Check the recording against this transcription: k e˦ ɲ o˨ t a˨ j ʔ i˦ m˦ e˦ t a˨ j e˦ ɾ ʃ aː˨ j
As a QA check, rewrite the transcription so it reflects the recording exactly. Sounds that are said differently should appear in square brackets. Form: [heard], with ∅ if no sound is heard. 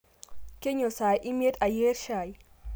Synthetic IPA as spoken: k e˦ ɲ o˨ [s] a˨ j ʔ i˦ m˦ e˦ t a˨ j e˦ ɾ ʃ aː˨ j